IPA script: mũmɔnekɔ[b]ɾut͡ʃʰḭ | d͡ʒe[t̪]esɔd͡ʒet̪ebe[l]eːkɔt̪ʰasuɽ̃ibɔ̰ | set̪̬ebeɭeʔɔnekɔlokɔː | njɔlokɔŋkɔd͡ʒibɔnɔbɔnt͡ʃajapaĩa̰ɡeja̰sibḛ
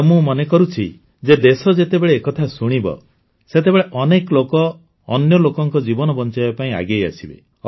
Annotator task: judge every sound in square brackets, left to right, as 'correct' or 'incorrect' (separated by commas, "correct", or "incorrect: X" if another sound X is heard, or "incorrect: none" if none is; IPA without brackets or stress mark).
incorrect: none, incorrect: d̪, incorrect: ɭ